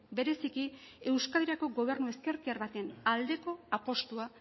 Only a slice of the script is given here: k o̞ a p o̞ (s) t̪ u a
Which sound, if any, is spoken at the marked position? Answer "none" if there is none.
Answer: s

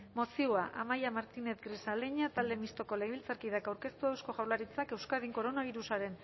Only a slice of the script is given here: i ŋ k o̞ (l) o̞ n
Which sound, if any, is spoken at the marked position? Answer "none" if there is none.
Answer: ɾ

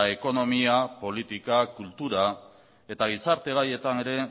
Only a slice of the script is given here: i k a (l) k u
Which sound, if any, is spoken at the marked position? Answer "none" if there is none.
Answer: none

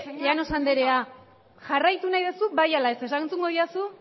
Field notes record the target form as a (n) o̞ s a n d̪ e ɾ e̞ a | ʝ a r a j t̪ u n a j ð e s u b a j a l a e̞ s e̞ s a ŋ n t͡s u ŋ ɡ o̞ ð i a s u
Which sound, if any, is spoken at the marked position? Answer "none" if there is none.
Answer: n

